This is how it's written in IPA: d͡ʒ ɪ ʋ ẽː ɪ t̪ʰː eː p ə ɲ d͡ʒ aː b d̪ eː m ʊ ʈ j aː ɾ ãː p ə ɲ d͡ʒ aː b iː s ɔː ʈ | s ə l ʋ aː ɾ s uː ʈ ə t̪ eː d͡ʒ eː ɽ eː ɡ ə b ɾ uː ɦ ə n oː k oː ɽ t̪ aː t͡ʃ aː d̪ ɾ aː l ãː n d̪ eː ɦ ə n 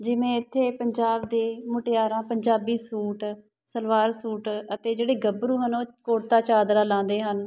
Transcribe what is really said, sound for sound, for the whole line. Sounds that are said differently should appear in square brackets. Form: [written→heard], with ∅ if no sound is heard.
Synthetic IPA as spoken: d͡ʒ ɪ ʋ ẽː ɪ t̪ʰː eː p ə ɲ d͡ʒ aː b d̪ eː m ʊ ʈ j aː ɾ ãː p ə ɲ d͡ʒ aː b iː s [ɔː→uː] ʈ | s ə l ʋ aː ɾ s uː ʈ ə t̪ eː d͡ʒ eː ɽ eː ɡ ə b ɾ uː ɦ ə n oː k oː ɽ t̪ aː t͡ʃ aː d̪ ɾ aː l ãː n d̪ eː ɦ ə n